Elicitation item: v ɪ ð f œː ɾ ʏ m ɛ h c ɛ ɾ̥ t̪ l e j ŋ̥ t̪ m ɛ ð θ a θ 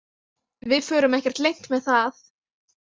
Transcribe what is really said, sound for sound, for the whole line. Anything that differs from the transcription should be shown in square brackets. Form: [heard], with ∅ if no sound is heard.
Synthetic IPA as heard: v ɪ ð f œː ɾ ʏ m ɛ h c ɛ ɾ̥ t̪ l e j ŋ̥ t̪ m ɛ ð θ a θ